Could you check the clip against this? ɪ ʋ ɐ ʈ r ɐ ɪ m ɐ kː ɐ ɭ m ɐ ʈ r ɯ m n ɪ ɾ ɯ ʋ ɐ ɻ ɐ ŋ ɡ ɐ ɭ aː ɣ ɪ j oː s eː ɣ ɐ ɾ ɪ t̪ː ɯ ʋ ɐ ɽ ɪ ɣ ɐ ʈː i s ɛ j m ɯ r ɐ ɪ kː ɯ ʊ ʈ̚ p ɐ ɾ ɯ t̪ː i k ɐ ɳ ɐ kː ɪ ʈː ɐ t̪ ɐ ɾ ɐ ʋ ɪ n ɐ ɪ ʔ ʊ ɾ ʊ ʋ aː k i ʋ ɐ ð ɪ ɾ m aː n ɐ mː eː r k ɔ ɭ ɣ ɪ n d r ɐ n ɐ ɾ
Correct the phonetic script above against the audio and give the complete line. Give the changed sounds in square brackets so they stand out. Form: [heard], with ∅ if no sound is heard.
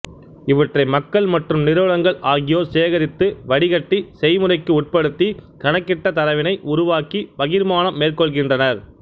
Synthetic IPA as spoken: ɪ ʋ ɐ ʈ r ɐ ɪ m ɐ kː ɐ ɭ m ɐ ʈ r ɯ m n ɪ ɾ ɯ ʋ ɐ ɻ ɐ ŋ ɡ ɐ ɭ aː ɣ ɪ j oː s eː ɣ ɐ ɾ ɪ t̪ː ɯ ʋ ɐ ɽ ɪ ɣ ɐ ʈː i s ɛ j m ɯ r ɐ ɪ kː ɯ ʊ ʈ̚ p ɐ [ɽ] ɯ t̪ː i k ɐ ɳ ɐ kː ɪ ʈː ɐ t̪ ɐ ɾ ɐ ʋ ɪ n ɐ ɪ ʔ ʊ ɾ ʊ ʋ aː k i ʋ ɐ [ɣ] ɪ ɾ m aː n ɐ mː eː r k ɔ ɭ ɣ ɪ n d r ɐ n ɐ ɾ